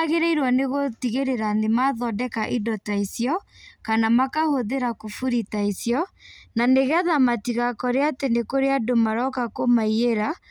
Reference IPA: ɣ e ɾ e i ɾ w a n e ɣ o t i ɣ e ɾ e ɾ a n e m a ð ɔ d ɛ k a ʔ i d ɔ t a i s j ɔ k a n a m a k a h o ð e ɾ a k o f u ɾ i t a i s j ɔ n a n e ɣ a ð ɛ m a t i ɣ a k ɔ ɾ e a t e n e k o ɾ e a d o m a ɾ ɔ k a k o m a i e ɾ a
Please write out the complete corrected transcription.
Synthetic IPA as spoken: ɣ e ɾ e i ɾ w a n e ɣ o t i ɣ e ɾ e ɾ a n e m a ð ɔ d ɛ k a ʔ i d ɔ t a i s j ɔ k a n a m a k a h o ð e ɾ a k o f u ɾ i t a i s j ɔ n a n e ɣ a ð a m a t i ɣ a k ɔ ɾ e a t e n e k o ɾ e a d o m a ɾ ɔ k a k o m a i e ɾ a